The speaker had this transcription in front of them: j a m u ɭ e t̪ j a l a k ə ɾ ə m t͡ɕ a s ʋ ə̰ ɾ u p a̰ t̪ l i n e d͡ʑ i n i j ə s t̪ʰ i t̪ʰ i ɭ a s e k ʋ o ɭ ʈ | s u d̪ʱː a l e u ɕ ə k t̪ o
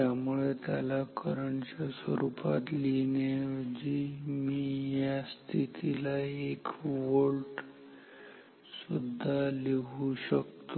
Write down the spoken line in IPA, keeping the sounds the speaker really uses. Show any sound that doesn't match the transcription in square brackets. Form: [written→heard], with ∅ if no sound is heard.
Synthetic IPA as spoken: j a m u ɭ e t̪ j a l a k ə ɾ ə [m→ɳ] t͡ɕ a s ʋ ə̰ ɾ u p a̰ t̪ l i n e d͡ʑ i [n→m] i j [ə→a] s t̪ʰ i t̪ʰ i [ɭ→l] a [s→∅] e k ʋ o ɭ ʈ | s u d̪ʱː a l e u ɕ ə k t̪ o